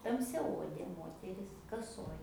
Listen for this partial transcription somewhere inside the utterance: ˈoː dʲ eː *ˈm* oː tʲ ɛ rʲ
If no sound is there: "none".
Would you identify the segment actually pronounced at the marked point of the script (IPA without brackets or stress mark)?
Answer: m